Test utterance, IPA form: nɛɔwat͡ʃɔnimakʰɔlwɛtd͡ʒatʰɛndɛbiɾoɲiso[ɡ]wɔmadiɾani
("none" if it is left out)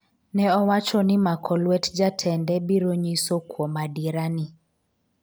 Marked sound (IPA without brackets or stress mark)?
k